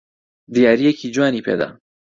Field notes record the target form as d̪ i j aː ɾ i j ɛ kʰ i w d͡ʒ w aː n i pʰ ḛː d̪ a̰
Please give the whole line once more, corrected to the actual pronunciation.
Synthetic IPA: d̪ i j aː ɾ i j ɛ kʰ i d͡ʒ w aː n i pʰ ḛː d̪ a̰